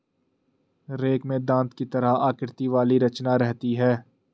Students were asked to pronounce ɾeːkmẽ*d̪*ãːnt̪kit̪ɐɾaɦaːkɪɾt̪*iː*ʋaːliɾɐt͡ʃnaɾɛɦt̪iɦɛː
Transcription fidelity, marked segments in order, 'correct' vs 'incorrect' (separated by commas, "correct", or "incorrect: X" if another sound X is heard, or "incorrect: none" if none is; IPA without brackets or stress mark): correct, incorrect: i